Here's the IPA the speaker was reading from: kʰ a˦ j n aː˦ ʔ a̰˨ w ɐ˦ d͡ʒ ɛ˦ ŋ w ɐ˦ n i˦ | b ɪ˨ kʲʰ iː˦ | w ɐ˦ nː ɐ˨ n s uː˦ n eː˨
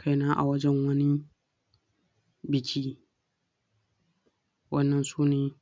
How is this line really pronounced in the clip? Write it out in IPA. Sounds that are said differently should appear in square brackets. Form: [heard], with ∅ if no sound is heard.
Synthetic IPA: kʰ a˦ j n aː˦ ʔ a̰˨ w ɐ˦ d͡ʒ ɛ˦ ŋ w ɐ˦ n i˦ | b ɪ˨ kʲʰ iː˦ | w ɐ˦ nː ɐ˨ n s uː˦ n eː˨

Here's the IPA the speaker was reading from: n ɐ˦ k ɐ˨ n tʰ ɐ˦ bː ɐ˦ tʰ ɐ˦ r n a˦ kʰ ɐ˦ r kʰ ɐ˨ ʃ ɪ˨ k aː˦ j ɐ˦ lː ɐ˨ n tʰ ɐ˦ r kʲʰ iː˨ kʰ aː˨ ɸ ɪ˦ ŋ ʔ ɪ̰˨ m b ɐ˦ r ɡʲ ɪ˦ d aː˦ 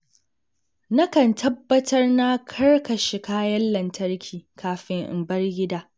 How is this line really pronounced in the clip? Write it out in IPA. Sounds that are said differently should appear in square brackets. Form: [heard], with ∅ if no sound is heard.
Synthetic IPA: n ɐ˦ k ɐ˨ n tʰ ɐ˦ bː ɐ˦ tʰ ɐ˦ r n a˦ kʰ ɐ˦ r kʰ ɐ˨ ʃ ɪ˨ k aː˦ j ɐ˦ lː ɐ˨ n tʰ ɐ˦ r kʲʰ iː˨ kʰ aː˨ ɸ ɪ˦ ŋ ʔ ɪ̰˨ m b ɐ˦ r ɡʲ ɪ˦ d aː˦

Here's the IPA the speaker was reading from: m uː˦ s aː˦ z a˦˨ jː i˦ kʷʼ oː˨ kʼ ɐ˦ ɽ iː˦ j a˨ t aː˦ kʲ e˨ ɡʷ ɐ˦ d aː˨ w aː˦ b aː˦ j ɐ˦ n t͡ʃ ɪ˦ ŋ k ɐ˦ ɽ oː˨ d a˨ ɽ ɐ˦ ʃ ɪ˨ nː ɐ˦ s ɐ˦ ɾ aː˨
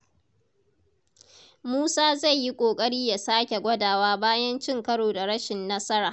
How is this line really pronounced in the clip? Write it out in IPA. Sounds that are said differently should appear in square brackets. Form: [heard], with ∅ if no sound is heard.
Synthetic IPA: m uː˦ s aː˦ z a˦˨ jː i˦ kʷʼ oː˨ kʼ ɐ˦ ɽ iː˦ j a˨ [s] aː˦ kʲ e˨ ɡʷ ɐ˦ d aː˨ w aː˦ b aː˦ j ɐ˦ n t͡ʃ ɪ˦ ŋ k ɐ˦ ɽ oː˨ d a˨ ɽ ɐ˦ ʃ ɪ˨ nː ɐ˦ s ɐ˦ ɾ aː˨

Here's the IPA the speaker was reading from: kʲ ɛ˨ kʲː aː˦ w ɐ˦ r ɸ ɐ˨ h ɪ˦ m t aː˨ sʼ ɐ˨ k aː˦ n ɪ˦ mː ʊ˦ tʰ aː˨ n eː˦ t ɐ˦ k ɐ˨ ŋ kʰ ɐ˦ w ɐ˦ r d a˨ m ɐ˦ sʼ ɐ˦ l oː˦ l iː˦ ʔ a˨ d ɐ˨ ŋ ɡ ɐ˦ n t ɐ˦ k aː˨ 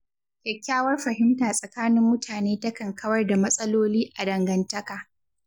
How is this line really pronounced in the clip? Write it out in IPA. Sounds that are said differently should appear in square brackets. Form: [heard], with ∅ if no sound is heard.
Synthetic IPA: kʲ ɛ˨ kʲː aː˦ w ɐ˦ r ɸ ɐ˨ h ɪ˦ m t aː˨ sʼ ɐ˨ k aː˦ n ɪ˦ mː ʊ˦ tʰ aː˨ n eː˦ t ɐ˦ k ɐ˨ ŋ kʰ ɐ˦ w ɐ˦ r d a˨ m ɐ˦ sʼ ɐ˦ l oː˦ l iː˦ ʔ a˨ d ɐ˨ ŋ ɡ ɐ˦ n t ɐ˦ k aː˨

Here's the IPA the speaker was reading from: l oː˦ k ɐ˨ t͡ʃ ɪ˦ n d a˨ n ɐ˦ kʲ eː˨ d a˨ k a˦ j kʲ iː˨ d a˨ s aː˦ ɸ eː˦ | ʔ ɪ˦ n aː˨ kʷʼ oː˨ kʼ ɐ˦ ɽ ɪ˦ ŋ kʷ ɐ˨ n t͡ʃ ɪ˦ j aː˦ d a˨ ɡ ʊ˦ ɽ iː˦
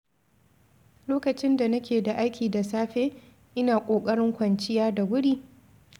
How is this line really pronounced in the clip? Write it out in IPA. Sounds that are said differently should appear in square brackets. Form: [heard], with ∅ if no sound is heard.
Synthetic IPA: l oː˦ k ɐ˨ t͡ʃ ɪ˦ n d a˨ n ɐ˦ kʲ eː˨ d a˨ [ʔ] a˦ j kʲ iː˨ d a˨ s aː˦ ɸ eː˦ | ʔ ɪ˦ n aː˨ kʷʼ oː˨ kʼ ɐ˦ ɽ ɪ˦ ŋ kʷ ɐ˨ n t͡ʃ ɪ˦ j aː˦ d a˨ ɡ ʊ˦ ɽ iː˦

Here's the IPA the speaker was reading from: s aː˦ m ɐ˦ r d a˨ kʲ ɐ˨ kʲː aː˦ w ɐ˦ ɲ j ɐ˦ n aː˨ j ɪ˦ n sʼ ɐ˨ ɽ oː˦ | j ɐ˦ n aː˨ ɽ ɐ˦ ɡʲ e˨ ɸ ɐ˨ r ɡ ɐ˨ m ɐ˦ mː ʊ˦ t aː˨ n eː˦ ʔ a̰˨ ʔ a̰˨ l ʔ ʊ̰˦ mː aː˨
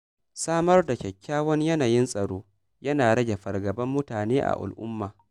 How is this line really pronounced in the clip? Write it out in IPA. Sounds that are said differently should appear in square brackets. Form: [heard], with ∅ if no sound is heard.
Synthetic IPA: s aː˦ m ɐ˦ r d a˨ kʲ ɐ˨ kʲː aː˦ w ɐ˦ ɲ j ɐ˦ n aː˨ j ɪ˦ n sʼ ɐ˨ ɽ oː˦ | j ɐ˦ n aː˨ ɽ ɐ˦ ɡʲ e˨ ɸ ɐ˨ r ɡ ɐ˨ [b] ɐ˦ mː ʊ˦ t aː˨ n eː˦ ʔ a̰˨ ʔ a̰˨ l ʔ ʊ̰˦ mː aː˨

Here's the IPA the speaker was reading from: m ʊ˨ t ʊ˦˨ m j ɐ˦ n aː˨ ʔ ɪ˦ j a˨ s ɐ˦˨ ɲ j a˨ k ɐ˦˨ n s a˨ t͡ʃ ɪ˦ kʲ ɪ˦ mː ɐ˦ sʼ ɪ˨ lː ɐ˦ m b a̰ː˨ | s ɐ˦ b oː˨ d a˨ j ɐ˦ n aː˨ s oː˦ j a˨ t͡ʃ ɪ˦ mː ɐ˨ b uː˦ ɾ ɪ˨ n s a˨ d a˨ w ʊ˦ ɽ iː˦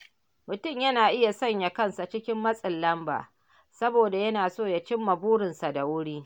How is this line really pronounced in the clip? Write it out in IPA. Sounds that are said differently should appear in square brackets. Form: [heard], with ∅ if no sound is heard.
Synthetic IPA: m ʊ˨ t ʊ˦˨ m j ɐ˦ n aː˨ ʔ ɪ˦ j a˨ s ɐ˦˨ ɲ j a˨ k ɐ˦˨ n s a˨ t͡ʃ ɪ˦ kʲ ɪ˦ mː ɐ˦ sʼ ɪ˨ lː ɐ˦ m b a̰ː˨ | s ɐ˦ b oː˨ d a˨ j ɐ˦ n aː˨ s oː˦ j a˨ t͡ʃ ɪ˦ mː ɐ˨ b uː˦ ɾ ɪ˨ n s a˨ d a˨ w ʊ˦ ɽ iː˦

